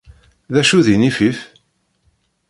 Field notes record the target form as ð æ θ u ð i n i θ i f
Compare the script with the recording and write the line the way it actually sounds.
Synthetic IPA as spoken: ð æ ʃ u ð i n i f i f

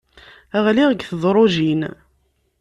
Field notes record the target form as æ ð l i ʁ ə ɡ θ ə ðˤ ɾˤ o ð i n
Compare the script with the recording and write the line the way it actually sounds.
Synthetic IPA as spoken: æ ʁ l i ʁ ə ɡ θ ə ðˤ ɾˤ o ʒ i n

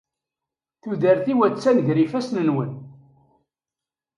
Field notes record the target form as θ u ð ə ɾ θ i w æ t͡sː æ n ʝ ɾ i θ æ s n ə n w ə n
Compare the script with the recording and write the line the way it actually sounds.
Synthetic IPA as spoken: θ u ð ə ɾ θ i w æ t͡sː æ n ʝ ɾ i f æ s n ə n w ə n

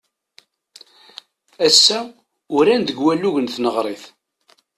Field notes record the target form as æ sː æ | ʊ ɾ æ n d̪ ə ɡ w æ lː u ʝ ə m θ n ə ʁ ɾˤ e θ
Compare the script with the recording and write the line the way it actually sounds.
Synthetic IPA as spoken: æ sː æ | ʊ ɾ æ n d̪ ə ɡ w æ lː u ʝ ə n θ n ə ʁ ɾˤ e θ

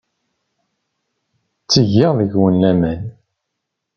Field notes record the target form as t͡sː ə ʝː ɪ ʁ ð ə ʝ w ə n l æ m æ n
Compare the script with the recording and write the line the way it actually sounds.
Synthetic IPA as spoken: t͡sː ə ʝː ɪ ʁ ð ə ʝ w ə n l æ m æ n

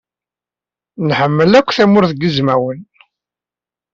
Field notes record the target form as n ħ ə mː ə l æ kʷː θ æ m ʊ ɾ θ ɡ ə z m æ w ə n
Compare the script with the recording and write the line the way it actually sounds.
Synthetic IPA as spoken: n ħ ə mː ə l æ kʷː θ æ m ʊ ɾ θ ɡ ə z m æ w ə n

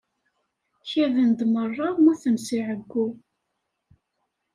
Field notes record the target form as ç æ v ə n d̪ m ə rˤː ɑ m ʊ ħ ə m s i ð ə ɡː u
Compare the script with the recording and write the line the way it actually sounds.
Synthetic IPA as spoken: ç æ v ə n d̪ m ə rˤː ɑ m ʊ θ ə m s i ʕ ə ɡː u

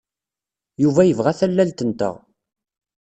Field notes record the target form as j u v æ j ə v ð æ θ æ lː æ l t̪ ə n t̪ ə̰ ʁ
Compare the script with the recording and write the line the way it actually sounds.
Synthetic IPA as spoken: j u v æ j ə v ʁ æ θ æ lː æ l t̪ ə n t̪ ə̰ ʁ

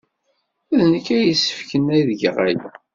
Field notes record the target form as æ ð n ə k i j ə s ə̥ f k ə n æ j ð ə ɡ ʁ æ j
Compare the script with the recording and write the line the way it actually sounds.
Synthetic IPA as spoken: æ ð n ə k æ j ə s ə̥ f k ə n æ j ð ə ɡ ʁ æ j

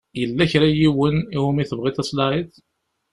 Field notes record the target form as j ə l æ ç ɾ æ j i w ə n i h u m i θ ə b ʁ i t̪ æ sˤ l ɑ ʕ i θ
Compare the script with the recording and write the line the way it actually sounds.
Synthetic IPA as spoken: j ə lː æ ç ɾ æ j i w ə n i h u m i θ ə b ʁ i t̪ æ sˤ l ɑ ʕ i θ

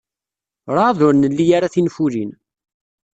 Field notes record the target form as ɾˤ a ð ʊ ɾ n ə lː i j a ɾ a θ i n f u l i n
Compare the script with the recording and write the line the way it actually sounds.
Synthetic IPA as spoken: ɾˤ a ð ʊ ɾ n ə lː i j a ɾ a θ i n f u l i n

